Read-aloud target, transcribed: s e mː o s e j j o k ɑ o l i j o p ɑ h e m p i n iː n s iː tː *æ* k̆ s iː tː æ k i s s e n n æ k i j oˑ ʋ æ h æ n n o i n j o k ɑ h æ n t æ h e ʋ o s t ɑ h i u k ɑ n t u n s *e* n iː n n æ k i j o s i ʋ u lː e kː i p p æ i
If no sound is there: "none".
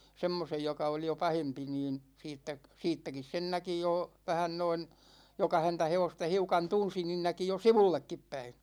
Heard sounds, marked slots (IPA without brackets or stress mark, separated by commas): æ, i